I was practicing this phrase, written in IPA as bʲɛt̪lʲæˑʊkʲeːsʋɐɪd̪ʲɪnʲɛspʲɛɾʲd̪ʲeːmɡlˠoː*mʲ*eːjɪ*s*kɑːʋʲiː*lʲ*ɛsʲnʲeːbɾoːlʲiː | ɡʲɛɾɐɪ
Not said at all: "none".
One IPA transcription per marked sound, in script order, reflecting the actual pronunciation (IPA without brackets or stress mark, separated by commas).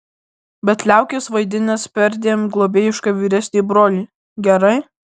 bʲ, ʃ, ɾʲ